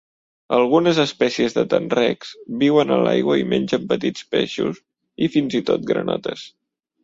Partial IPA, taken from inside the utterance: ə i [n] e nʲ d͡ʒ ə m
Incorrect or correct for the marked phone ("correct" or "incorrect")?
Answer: incorrect